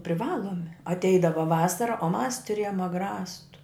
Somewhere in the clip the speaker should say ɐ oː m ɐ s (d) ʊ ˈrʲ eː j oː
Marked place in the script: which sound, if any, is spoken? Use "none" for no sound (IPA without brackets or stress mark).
t